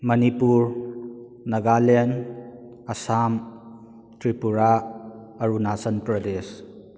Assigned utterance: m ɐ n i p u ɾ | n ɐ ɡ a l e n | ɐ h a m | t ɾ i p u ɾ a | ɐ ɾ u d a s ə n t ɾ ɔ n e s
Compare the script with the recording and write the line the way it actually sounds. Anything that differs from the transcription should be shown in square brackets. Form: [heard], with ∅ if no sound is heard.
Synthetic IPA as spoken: m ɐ n i p u ɾ | n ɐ ɡ a l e n | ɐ [s] a m | t ɾ i p u ɾ a | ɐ ɾ u [n] a s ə n [p] ɾ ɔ [d] e s